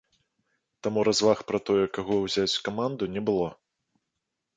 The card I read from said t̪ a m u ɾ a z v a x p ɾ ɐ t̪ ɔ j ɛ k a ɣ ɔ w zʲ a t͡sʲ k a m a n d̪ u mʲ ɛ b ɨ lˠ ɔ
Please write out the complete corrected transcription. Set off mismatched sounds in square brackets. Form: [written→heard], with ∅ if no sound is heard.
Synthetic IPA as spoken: t̪ a m u ɾ a z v a x p ɾ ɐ t̪ ɔ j ɛ k a ɣ ɔ w zʲ a t͡sʲ k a m a n d̪ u [mʲ→nʲ] ɛ b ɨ lˠ ɔ